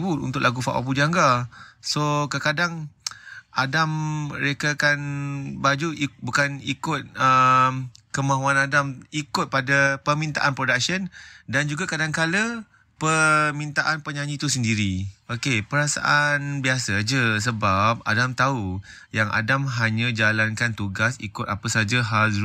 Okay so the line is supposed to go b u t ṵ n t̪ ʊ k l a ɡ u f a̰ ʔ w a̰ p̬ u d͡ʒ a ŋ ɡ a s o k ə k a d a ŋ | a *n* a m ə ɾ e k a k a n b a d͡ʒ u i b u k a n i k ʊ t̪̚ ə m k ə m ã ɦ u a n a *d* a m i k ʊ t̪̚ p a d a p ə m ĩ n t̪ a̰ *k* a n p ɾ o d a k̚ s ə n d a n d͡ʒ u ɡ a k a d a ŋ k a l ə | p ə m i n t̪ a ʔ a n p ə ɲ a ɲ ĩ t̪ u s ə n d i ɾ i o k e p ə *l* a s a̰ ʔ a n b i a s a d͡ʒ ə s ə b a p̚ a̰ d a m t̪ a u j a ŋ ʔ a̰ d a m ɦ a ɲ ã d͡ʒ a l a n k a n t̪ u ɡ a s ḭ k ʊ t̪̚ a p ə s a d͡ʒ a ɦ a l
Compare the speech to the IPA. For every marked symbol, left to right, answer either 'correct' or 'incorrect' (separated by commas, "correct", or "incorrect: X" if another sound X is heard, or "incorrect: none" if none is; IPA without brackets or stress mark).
incorrect: d, correct, incorrect: ʔ, incorrect: ɾ